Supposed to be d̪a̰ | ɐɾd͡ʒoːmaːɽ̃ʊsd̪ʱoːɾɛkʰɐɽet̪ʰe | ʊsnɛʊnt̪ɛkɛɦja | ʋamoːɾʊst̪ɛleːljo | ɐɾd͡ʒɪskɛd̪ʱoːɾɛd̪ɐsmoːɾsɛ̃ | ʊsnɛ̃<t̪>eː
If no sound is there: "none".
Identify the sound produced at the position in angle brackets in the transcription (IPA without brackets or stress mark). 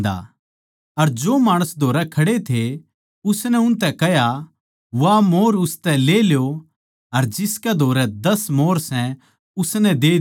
d̪